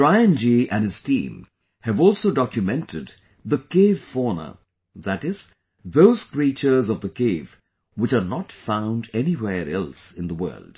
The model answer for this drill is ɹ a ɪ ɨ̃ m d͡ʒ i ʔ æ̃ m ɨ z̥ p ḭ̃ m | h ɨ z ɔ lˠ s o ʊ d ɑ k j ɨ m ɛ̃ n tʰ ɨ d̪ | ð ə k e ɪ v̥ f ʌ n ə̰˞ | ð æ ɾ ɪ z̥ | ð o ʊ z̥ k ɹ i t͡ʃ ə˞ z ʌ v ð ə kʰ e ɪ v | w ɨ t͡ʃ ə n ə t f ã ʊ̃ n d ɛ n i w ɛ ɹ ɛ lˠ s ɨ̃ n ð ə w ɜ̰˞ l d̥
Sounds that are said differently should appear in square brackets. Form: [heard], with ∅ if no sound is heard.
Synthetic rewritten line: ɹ a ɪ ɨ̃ [n] d͡ʒ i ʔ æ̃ [n] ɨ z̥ [t] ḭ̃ m | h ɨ [v] ɔ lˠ s o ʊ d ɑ k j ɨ m ɛ̃ n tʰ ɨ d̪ | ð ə k e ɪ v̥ f [ɔ] n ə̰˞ | ð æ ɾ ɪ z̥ | ð o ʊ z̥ k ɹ i t͡ʃ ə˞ z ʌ v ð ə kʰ e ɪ v | w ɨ t͡ʃ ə n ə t f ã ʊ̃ n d ɛ n i w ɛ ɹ ɛ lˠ s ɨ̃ n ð ə w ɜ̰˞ l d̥